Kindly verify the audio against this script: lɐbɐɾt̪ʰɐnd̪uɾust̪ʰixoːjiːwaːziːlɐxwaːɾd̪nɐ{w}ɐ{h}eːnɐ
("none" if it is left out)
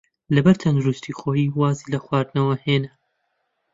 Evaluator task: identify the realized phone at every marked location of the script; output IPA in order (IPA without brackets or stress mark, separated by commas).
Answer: w, h